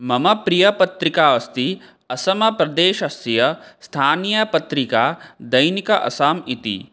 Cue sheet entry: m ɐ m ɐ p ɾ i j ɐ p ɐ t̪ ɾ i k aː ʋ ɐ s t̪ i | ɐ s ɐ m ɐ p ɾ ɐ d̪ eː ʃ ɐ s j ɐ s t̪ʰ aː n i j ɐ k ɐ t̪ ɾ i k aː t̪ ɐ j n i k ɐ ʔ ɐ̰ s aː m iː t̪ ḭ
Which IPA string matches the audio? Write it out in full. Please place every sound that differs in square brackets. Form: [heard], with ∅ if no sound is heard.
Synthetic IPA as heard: m ɐ m ɐ p ɾ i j ɐ p ɐ t̪ ɾ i k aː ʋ ɐ s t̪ i | ɐ s ɐ m ɐ p ɾ ɐ d̪ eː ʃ ɐ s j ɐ s t̪ʰ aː n i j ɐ [p] ɐ t̪ ɾ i k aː [d̪] ɐ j n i k ɐ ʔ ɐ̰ s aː m [i] t̪ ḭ